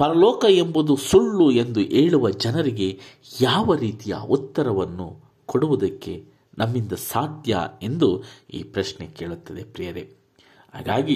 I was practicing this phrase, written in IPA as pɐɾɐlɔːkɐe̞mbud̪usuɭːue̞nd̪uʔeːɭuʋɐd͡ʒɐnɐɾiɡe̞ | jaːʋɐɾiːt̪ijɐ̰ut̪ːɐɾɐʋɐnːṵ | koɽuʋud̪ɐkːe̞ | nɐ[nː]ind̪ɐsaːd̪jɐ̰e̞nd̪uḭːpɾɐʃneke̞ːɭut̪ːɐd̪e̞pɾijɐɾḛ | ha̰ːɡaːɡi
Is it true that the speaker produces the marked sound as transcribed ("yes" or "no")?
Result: no